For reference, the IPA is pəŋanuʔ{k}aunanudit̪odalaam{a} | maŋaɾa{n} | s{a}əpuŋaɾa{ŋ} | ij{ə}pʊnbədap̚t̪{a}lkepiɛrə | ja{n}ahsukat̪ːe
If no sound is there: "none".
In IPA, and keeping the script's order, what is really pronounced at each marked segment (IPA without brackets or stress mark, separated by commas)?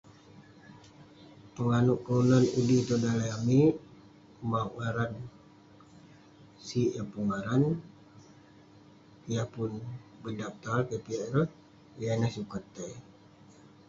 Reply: k, i, n, i, n, a, a, n